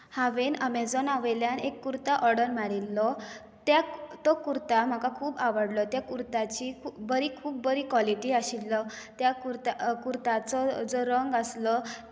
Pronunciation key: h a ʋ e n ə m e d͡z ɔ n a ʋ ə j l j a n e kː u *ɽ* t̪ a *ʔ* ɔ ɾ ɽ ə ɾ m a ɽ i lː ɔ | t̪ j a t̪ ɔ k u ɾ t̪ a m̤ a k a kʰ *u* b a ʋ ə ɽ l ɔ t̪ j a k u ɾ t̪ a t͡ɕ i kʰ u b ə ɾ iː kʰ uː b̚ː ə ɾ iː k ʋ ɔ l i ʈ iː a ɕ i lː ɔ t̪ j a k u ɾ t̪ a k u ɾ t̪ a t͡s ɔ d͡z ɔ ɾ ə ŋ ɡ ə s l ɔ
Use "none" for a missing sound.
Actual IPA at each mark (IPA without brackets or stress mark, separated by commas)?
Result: ɾ, ʔ, uː